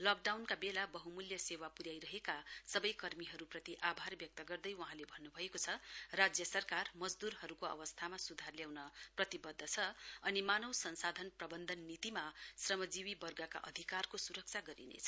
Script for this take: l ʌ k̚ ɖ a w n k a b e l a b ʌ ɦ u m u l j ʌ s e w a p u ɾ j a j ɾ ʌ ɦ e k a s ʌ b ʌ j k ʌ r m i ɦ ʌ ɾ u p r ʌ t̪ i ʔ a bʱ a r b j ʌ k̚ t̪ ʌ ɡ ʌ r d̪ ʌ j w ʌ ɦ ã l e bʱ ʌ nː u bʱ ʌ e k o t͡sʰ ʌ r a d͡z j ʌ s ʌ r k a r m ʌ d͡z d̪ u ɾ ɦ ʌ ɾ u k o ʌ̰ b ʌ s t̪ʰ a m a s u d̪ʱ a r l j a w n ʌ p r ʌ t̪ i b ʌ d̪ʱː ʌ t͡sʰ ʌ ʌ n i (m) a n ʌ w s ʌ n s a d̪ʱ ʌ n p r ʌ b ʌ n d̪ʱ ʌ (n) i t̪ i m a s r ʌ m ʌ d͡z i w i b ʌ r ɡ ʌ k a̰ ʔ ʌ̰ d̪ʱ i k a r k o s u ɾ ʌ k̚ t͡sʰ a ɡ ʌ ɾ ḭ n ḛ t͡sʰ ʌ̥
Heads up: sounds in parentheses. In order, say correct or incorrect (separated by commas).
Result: correct, incorrect